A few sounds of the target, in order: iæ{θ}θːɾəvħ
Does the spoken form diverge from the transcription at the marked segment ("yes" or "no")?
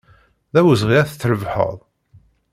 no